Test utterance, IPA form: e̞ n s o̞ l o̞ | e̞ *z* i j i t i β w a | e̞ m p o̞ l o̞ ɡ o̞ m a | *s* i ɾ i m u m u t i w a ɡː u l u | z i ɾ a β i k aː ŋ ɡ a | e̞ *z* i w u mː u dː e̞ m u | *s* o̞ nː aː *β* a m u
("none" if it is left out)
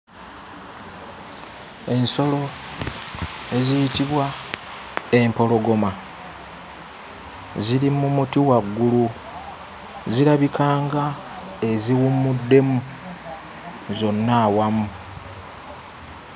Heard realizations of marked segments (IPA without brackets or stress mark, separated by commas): z, z, z, z, w